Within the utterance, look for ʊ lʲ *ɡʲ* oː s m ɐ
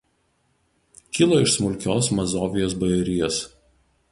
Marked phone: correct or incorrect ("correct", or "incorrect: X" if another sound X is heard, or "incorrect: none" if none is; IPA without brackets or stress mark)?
incorrect: kʲ